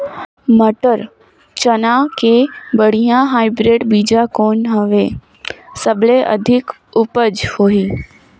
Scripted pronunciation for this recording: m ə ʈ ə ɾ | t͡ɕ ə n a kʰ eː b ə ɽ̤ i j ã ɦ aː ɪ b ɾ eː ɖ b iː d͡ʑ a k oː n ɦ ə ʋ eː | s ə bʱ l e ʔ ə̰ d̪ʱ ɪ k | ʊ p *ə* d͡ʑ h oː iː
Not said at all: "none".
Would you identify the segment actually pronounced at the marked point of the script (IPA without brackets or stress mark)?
ə